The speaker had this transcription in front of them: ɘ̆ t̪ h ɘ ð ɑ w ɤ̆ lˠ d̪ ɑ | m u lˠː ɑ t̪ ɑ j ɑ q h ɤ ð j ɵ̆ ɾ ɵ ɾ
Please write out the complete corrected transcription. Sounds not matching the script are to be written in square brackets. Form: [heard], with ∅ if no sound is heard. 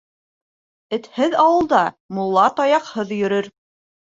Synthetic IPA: ɘ̆ t̪ h ɘ ð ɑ w ɤ̆ lˠ d̪ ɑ | m u lˠː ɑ t̪ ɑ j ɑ q h ɤ ð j ɵ̆ ɾ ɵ ɾ